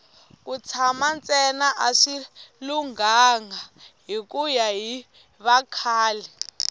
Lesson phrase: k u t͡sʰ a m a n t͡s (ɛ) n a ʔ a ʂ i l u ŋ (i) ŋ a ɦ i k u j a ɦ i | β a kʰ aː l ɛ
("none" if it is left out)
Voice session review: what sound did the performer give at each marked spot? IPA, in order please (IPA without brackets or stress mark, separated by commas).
ɛ, a